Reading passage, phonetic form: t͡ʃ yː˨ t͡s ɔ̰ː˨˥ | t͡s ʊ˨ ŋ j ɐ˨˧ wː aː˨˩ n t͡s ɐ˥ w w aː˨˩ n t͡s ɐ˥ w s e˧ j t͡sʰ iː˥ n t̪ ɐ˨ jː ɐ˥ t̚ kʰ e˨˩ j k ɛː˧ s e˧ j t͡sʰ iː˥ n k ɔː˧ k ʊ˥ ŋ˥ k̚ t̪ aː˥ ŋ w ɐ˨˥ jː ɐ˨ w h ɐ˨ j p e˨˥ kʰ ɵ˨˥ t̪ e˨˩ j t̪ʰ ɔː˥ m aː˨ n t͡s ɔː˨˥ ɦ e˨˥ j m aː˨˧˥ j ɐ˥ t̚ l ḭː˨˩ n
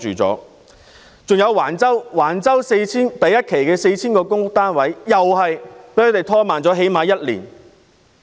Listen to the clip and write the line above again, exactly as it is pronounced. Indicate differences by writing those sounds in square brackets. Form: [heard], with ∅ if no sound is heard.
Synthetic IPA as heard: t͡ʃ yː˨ t͡s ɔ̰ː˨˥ | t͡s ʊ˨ ŋ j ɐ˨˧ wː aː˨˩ n t͡s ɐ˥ w w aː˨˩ n t͡s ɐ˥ w s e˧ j t͡sʰ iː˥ n t̪ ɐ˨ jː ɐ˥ t̚ kʰ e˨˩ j k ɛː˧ s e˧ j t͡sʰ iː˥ n k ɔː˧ k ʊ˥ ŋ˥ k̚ t̪ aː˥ [n] w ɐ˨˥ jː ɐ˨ w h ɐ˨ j p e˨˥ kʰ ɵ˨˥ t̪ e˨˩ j t̪ʰ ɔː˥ m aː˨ n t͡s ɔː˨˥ ɦ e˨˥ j m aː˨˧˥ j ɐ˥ t̚ l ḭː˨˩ n

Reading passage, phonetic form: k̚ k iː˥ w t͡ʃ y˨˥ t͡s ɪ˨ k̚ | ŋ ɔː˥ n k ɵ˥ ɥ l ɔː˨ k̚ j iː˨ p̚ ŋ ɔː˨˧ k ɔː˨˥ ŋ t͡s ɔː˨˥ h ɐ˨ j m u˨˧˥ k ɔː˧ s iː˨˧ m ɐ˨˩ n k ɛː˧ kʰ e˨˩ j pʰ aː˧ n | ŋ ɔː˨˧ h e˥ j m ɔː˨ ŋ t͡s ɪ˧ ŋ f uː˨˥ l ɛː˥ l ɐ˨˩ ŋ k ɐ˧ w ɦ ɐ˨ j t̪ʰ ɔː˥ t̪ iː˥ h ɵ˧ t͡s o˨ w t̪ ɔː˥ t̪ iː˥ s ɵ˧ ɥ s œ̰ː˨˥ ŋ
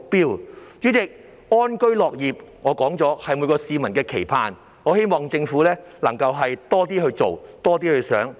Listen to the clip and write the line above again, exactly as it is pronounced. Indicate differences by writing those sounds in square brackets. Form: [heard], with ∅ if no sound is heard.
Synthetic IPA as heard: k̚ [p] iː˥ w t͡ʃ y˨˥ t͡s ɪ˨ k̚ | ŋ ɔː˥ n k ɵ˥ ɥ l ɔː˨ k̚ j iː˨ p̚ ŋ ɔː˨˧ k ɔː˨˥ ŋ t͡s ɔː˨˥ h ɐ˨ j m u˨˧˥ k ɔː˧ s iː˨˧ m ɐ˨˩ n k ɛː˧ kʰ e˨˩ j pʰ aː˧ n | ŋ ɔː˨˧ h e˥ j m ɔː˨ ŋ t͡s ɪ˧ ŋ f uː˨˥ l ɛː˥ l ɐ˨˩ ŋ k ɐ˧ w ɦ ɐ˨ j [t̪] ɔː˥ t̪ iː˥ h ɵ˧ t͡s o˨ w t̪ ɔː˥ t̪ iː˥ [h] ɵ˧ ɥ s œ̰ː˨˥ ŋ

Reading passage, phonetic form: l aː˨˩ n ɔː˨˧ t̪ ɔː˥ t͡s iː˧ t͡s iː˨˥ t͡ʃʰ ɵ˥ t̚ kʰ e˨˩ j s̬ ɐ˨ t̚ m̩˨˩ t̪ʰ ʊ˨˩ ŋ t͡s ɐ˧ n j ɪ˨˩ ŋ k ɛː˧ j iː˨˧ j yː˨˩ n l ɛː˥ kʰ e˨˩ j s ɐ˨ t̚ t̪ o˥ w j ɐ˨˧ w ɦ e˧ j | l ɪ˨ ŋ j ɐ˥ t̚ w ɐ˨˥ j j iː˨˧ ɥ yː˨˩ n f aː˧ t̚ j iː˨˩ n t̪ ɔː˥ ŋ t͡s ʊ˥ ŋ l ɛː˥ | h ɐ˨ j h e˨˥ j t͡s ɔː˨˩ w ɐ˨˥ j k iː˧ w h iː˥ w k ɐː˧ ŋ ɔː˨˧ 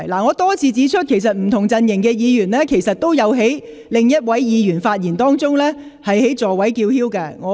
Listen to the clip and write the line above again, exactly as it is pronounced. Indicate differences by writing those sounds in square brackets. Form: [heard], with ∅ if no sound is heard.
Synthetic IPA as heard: l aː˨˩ [ŋ] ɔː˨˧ t̪ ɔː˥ [t͡sʰ] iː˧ t͡s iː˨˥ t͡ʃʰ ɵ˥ t̚ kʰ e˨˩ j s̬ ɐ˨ t̚ m̩˨˩ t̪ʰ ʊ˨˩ ŋ t͡s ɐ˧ n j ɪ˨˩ ŋ k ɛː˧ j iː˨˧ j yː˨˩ n l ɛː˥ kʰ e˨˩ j s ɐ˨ t̚ t̪ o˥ w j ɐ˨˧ w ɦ [e˨˥] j | l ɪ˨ ŋ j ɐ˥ t̚ w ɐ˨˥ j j iː˨˧ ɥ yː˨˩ n f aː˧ t̚ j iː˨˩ n t̪ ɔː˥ ŋ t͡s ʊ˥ ŋ l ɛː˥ | h ɐ˨ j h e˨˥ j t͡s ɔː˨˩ w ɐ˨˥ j k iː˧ w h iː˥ w k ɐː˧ ŋ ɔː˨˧

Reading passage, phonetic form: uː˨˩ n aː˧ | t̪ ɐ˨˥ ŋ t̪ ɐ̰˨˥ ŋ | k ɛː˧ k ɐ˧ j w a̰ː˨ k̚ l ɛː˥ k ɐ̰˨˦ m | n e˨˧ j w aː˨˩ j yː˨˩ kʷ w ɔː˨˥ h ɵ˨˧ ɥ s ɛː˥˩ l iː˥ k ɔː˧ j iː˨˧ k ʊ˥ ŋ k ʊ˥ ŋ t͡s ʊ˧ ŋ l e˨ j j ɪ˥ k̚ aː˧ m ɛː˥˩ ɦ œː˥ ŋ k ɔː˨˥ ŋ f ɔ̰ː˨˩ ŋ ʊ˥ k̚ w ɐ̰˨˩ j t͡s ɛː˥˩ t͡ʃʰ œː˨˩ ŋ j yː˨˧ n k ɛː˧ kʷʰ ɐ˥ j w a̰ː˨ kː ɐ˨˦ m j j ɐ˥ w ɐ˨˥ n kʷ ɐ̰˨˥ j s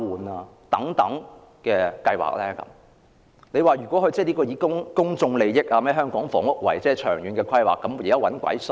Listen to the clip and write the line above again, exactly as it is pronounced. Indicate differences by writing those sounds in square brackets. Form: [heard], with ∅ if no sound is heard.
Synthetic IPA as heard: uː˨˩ n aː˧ | t̪ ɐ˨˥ ŋ t̪ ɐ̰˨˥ ŋ | k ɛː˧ k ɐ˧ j w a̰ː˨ k̚ l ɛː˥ k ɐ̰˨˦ m | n e˨˧ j w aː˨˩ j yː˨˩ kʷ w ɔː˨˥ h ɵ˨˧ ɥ [t͡s] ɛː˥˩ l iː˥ k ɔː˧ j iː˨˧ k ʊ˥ ŋ k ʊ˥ ŋ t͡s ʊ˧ ŋ l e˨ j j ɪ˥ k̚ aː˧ m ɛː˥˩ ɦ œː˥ ŋ k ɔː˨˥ ŋ f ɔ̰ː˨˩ ŋ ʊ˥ k̚ w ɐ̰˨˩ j t͡s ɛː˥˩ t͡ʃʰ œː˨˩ ŋ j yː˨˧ n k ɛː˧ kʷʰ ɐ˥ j w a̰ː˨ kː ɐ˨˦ m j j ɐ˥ w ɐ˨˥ n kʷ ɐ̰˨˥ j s

